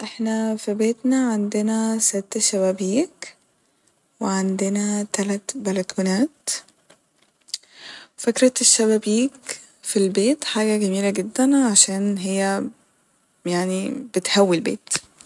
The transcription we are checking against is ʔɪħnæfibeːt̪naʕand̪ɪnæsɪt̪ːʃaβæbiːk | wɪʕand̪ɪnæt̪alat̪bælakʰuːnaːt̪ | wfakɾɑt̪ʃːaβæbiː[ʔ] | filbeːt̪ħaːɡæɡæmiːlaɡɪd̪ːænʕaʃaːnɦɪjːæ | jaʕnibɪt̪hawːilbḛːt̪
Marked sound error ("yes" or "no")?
yes